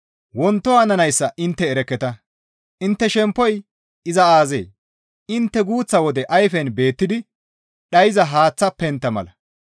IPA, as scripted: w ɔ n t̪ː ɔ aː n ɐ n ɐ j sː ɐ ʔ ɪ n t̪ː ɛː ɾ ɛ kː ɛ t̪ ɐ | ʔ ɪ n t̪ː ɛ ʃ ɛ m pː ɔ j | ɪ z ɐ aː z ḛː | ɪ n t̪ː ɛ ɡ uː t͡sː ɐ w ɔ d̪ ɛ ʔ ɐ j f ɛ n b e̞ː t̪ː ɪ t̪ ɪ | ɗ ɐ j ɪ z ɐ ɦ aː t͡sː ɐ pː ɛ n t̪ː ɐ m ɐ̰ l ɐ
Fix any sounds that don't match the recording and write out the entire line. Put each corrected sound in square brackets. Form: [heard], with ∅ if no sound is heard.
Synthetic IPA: w ɔ n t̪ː ɔ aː n ɐ n ɐ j sː ɐ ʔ ɪ n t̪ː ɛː ɾ ɛ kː ɛ t̪ ɐ | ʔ ɪ n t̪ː ɛ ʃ ɛ m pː ɔ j | ɪ z ɐ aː z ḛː | ɪ n t̪ː ɛ ɡ uː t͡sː ɐ w ɔ d̪ ɛ ʔ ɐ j f ɛ n b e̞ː t̪ː ɪ [d̪] ɪ | ɗ ɐ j ɪ z ɐ ɦ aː t͡sː ɐ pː ɛ n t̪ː ɐ m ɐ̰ l ɐ